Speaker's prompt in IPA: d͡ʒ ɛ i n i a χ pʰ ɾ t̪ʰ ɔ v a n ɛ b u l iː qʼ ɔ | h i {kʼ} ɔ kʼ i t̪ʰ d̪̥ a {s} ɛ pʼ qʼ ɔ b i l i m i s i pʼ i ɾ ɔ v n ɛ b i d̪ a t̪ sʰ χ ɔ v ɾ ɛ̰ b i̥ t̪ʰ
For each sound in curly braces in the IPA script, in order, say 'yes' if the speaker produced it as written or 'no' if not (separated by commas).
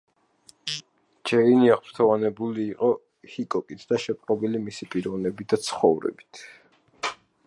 yes, no